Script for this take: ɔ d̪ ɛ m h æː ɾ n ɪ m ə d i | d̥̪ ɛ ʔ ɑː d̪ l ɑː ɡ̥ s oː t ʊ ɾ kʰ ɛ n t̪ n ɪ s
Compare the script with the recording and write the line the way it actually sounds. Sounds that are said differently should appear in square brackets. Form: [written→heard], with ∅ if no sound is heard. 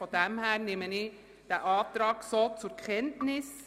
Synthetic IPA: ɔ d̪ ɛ m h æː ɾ n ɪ m ə [d→n] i | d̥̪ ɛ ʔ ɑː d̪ [l→ɾ] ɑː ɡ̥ s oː [t→t͡s] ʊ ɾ kʰ ɛ n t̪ n ɪ s